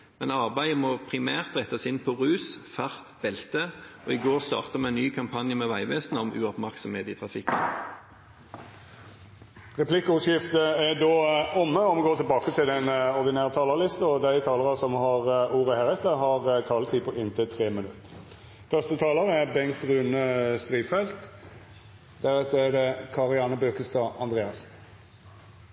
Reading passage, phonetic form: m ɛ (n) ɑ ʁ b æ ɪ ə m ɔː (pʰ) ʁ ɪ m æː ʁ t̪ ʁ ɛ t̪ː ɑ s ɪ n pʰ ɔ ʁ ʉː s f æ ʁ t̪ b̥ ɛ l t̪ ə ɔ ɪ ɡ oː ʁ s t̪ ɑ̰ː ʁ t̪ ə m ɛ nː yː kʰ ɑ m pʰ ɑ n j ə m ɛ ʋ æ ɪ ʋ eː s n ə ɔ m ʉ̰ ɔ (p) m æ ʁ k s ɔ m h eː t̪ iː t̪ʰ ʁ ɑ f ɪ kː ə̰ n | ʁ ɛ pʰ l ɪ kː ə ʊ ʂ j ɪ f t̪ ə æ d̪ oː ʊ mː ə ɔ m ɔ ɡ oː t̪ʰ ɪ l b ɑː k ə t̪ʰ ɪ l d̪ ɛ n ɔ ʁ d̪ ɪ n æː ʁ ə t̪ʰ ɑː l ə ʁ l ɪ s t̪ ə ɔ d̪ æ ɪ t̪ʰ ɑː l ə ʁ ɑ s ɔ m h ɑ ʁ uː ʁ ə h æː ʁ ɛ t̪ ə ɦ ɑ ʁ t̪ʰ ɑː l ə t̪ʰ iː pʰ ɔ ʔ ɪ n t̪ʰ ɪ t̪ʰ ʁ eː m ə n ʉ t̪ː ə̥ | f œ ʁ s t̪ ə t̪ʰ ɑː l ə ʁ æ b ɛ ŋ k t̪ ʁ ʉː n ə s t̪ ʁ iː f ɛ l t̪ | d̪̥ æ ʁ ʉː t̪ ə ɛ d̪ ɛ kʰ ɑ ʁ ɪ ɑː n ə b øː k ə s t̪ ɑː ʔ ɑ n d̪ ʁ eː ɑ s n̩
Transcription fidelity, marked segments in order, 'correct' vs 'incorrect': correct, correct, correct

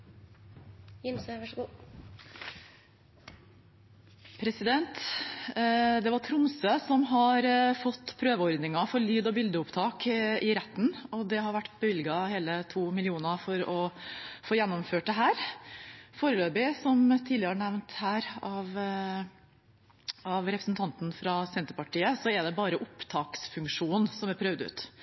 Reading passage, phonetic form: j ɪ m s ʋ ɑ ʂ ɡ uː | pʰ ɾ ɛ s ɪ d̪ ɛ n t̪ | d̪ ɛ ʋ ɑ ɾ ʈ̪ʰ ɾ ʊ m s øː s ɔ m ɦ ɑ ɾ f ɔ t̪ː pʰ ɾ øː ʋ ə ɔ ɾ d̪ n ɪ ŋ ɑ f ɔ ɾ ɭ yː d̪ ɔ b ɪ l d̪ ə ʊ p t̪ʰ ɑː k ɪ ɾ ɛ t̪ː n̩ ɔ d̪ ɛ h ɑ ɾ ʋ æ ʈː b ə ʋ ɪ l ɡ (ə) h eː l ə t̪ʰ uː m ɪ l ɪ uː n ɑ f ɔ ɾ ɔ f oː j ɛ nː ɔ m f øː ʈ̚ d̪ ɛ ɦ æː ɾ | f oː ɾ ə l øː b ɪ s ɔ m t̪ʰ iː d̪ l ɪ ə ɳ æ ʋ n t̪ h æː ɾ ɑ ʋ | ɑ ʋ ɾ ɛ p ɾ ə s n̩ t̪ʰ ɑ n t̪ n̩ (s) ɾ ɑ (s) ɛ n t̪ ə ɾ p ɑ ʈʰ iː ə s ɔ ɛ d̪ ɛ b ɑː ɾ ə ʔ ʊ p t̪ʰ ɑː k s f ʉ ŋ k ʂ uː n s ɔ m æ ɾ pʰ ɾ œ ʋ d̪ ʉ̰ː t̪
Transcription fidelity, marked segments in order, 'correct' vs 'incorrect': incorrect: ɑ, incorrect: f, correct

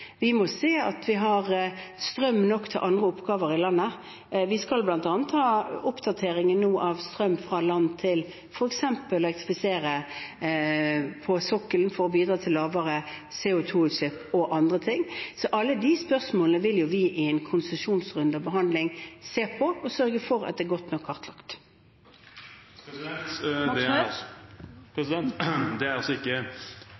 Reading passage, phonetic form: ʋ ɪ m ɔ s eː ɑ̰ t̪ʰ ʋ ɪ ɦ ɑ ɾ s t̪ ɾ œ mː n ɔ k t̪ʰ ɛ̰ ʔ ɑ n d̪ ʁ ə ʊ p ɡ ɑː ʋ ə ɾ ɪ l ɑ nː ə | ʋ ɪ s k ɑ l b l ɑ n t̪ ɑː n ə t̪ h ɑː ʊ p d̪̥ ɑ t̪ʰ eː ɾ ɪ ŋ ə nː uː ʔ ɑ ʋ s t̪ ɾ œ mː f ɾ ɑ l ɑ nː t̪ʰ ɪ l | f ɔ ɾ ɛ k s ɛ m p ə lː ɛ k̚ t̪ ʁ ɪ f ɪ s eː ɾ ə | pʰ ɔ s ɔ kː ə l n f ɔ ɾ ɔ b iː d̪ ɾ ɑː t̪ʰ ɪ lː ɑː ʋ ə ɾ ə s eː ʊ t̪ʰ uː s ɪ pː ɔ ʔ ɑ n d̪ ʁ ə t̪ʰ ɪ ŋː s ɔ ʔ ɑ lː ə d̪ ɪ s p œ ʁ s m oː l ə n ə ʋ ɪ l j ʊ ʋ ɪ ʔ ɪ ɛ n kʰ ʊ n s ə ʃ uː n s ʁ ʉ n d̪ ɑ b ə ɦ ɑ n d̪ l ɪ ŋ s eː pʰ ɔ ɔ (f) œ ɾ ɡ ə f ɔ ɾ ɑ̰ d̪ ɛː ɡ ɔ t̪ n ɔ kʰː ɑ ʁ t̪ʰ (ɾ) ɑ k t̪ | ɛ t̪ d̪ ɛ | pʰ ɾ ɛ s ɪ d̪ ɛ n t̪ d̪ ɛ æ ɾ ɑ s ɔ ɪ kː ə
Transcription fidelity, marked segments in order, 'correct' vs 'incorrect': incorrect: s, incorrect: l

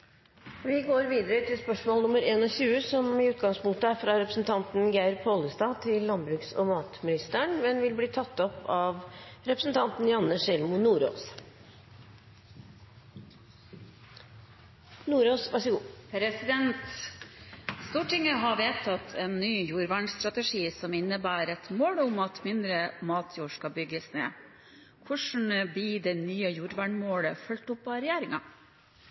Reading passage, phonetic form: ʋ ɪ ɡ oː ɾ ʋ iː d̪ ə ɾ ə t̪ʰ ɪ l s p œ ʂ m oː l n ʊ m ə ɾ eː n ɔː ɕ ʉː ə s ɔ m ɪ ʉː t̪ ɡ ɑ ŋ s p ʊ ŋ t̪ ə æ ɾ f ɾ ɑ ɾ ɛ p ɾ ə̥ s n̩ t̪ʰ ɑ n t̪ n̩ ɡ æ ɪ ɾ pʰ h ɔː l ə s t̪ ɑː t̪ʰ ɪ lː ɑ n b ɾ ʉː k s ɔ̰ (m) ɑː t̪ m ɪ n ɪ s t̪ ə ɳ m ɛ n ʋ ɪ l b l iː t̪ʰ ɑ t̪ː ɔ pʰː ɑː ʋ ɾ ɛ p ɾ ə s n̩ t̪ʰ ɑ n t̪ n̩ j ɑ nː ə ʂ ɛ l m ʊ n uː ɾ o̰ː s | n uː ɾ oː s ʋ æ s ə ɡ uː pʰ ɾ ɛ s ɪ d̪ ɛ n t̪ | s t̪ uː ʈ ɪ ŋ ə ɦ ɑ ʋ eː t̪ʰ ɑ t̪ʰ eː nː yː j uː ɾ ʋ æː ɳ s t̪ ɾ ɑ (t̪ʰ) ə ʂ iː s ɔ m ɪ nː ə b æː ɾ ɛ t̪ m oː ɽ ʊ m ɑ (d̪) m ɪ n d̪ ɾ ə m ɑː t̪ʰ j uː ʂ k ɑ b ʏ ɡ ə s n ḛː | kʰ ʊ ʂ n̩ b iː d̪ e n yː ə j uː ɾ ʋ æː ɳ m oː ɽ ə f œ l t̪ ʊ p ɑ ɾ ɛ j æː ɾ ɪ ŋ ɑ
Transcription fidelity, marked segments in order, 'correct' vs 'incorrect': correct, incorrect: t̪, incorrect: t̪

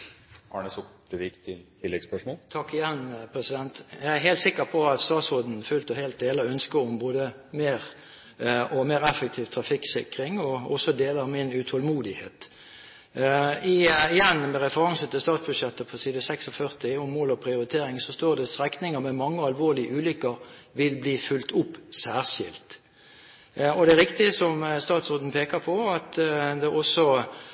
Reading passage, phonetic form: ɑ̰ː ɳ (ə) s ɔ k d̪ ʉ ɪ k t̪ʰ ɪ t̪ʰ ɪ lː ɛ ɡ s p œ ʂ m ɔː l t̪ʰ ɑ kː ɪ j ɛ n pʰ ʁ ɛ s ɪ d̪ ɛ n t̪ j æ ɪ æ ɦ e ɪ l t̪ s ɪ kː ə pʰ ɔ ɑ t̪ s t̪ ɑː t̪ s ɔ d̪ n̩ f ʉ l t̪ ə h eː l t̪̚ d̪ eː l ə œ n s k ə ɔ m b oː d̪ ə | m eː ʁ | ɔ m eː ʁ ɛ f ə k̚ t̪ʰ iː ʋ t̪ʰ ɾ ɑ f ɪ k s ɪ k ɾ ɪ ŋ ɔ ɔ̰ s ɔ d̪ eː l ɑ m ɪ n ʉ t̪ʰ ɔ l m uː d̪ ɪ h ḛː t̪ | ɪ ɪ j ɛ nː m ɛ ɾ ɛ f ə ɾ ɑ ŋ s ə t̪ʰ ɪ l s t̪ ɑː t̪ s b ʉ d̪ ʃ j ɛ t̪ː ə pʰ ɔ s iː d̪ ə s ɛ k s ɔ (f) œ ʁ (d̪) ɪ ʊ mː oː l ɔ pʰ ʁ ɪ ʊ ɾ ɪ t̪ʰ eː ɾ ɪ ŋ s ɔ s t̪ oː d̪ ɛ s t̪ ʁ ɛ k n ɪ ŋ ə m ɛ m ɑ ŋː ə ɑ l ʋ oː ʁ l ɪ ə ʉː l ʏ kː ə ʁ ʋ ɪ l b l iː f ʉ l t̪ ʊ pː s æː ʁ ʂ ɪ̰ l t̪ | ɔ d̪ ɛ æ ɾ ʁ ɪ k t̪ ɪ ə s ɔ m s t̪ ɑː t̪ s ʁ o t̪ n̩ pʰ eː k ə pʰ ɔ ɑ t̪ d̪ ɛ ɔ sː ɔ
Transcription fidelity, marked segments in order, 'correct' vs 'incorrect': correct, correct, incorrect: t̪

